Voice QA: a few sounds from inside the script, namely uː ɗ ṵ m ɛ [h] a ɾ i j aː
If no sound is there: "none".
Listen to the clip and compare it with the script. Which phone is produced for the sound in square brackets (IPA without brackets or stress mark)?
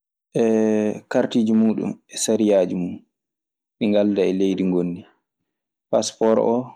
s